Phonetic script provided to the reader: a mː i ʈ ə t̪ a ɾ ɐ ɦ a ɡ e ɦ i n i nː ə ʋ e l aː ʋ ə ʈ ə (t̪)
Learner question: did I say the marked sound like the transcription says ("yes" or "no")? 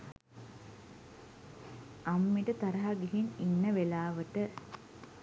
no